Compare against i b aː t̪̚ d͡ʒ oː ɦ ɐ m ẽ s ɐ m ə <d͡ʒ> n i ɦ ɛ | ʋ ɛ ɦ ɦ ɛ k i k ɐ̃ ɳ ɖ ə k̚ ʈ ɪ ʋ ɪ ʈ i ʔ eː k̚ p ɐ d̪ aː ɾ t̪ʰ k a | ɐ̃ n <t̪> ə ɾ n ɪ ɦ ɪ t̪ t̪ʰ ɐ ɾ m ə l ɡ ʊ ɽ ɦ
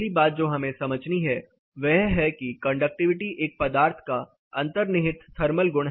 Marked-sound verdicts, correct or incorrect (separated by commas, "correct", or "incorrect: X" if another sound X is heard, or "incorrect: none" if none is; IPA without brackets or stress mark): correct, correct